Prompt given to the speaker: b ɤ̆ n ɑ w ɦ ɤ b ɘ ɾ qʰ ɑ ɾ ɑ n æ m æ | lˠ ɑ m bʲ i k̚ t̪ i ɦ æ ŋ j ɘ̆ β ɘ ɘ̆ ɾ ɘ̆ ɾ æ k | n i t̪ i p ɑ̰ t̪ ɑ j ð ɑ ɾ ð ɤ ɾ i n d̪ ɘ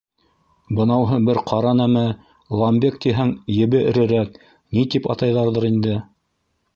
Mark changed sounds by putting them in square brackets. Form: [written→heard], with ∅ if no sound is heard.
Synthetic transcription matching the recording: b ɤ̆ n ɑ w ɦ ɤ b ɘ ɾ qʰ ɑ ɾ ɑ n æ m æ | lˠ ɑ m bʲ [i→e] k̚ t̪ i ɦ æ ŋ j ɘ̆ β ɘ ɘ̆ ɾ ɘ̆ ɾ æ k | n i t̪ i p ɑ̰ t̪ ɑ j ð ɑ ɾ ð ɤ ɾ i n d̪ ɘ

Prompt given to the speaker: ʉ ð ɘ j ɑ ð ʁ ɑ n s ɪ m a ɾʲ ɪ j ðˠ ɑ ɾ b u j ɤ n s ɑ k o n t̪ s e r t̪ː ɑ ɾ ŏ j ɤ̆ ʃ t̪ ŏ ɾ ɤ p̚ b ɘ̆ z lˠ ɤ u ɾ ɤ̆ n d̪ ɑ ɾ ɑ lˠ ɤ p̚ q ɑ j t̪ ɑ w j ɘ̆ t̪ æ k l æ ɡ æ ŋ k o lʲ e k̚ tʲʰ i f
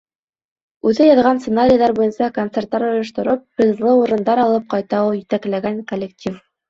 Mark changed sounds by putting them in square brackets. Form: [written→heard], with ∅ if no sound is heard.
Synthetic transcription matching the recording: ʉ ð ɘ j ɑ ð ʁ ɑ n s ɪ [m→n] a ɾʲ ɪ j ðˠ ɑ ɾ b u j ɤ n s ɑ k o n t̪ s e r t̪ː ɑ ɾ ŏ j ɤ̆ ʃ t̪ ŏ ɾ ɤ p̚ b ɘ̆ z lˠ ɤ u ɾ ɤ̆ n d̪ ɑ ɾ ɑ lˠ ɤ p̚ q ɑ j t̪ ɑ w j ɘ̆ t̪ æ k l æ ɡ æ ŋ k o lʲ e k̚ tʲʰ i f

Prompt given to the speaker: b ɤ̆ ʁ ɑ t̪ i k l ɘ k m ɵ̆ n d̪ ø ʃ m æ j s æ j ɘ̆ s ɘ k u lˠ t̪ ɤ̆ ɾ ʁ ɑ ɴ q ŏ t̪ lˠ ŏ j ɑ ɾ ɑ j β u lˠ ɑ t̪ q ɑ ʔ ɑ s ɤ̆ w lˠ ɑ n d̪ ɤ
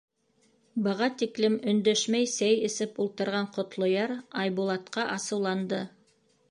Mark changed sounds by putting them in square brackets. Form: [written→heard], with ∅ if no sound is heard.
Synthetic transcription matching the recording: b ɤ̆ ʁ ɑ t̪ i k l ɘ [k→∅] m ɵ̆ n d̪ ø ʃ m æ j s æ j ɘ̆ s ɘ [k→p] u lˠ t̪ ɤ̆ ɾ ʁ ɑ ɴ q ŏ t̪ lˠ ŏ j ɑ ɾ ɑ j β u lˠ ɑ t̪ q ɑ ʔ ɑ s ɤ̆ w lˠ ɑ n d̪ ɤ

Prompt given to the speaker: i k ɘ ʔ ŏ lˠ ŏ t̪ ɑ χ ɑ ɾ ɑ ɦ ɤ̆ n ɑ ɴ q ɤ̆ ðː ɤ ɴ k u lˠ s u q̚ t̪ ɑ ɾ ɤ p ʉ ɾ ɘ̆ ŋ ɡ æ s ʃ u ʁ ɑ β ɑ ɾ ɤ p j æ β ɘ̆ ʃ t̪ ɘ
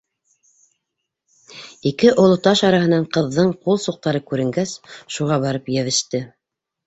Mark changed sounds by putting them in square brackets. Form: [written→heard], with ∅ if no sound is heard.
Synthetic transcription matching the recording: i k ɘ ʔ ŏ lˠ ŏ t̪ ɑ [χ→ʃ] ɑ ɾ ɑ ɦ ɤ̆ n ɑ ɴ q ɤ̆ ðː ɤ ɴ [k→q] u lˠ s u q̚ t̪ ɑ ɾ ɤ [p→k] ʉ ɾ ɘ̆ ŋ ɡ æ s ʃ u ʁ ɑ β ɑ ɾ ɤ p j æ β ɘ̆ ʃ t̪ ɘ

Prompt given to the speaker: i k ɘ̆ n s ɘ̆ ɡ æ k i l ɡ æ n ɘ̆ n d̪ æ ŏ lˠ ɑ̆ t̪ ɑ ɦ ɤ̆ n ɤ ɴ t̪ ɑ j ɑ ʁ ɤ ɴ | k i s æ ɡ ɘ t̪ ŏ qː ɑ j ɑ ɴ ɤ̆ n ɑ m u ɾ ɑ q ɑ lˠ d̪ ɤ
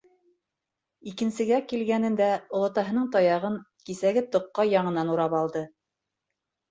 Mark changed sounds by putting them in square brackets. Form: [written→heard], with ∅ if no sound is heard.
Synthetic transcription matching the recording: i k ɘ̆ n s ɘ̆ ɡ æ k i l ɡ æ n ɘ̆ n d̪ æ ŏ lˠ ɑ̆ t̪ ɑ ɦ ɤ̆ n ɤ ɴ t̪ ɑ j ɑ ʁ ɤ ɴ | k i s æ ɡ ɘ t̪ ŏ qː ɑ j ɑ ɴ ɤ̆ n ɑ [m→n] u ɾ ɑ [q→p] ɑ lˠ d̪ ɤ

